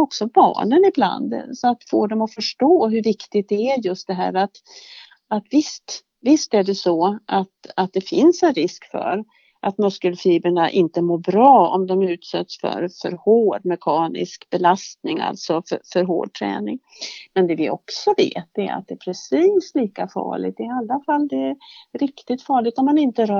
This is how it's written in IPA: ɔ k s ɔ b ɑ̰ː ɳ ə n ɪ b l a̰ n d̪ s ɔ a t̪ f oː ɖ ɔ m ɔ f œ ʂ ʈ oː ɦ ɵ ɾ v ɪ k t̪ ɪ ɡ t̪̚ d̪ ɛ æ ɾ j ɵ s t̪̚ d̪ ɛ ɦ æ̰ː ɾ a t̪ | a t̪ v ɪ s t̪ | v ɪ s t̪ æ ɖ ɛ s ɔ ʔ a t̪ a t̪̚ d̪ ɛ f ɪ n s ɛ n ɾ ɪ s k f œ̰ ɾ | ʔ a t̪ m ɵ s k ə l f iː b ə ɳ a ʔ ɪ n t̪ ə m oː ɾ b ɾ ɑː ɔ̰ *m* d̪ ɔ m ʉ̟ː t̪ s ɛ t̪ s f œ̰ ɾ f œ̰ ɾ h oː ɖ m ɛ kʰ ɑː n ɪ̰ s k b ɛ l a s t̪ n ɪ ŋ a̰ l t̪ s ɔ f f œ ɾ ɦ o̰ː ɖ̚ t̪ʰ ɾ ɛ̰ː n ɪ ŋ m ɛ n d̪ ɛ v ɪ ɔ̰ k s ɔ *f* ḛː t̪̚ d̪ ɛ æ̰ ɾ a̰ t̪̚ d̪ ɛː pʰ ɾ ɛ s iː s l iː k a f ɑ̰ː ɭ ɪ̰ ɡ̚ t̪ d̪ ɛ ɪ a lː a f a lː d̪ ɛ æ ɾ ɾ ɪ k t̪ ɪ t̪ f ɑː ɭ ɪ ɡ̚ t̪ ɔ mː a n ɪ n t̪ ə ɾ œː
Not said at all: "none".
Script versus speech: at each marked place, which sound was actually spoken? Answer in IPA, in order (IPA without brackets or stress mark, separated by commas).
m, v